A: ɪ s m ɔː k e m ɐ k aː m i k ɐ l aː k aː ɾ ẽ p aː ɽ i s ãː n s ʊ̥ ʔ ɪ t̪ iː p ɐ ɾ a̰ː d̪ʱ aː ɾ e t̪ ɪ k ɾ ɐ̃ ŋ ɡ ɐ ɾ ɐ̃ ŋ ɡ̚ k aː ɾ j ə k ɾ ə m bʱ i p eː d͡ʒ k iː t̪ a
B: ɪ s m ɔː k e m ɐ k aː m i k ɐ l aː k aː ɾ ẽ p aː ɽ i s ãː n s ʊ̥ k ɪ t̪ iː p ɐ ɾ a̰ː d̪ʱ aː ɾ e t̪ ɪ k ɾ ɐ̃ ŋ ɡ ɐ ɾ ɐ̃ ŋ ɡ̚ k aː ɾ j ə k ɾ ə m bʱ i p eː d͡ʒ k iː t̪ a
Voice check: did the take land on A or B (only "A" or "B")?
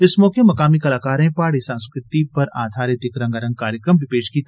B